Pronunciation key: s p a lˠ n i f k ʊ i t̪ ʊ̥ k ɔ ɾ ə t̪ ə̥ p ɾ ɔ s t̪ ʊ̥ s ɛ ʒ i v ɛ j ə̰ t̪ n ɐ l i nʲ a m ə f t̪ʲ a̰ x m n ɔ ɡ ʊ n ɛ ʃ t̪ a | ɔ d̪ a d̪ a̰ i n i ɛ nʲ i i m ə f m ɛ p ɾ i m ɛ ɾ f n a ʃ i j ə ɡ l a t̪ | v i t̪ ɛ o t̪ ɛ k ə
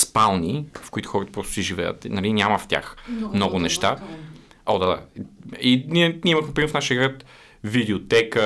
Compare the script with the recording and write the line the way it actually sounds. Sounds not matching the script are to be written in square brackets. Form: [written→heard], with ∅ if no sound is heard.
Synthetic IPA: s p a lˠ n i f k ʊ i t̪ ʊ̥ [k→x] ɔ ɾ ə t̪ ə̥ p ɾ ɔ s t̪ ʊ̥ s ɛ ʒ i v ɛ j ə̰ t̪ n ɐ l i nʲ a m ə f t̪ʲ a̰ x m n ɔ ɡ ʊ n ɛ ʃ t̪ a | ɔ d̪ a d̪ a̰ i n i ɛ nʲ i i m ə [f→x] m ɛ p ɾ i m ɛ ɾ f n a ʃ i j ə ɡ [l→ɾ] a t̪ | v i [t̪→d̪] ɛ o t̪ ɛ k ə